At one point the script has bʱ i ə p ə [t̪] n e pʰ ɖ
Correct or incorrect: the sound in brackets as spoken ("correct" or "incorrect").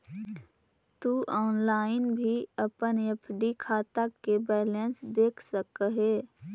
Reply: incorrect